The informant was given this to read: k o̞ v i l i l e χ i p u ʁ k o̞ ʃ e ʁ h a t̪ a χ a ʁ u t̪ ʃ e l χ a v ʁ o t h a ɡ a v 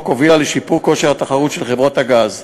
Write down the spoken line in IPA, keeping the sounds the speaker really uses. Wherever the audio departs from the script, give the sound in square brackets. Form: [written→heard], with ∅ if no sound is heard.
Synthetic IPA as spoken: k o̞ v i l [i→a] l e [χ→ʃ] i p u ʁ k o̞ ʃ e ʁ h a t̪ a χ a ʁ u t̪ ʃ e l χ [a→e] v ʁ o t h a ɡ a [v→z]